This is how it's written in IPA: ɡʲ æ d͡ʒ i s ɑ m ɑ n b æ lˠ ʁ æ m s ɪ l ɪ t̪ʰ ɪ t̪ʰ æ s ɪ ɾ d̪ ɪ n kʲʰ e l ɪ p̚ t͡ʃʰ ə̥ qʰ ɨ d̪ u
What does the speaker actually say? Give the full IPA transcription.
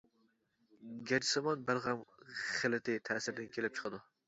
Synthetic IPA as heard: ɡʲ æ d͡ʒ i s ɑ m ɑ n b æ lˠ ʁ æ m χ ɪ l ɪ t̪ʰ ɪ t̪ʰ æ s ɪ ɾ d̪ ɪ n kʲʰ e l ɪ p̚ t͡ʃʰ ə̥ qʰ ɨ d̪ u